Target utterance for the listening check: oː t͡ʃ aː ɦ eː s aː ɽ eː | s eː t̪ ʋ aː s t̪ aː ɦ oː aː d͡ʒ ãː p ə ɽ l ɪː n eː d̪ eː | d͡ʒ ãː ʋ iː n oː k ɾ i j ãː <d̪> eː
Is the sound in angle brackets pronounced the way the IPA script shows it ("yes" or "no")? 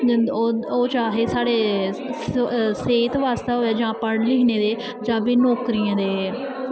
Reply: yes